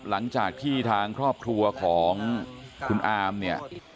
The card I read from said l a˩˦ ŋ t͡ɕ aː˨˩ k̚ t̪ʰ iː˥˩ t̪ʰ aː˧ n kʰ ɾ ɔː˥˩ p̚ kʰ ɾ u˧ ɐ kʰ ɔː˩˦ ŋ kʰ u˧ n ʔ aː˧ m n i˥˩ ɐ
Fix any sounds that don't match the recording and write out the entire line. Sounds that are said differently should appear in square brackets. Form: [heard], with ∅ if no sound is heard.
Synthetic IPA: l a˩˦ ŋ t͡ɕ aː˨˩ k̚ t̪ʰ iː˥˩ t̪ʰ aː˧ [ŋ] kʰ ɾ ɔː˥˩ p̚ kʰ ɾ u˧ ɐ kʰ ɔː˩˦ ŋ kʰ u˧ n ʔ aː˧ m n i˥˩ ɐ